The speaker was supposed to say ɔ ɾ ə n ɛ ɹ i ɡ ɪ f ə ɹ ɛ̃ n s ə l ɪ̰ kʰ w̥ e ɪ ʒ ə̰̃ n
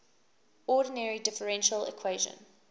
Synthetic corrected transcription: ɔ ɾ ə n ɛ ɹ i d ɪ f ə ɹ ɛ̃ n ʃ ə l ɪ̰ kʰ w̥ e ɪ ʒ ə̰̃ n